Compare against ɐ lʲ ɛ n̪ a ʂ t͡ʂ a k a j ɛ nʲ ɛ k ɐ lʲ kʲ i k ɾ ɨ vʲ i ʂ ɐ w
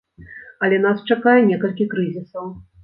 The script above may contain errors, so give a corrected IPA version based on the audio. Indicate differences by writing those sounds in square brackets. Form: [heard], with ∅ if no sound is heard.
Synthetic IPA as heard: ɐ lʲ ɛ n̪ a [s] t͡ʂ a k a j ɛ nʲ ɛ k ɐ lʲ kʲ i k ɾ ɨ [zʲ] i [s] ɐ w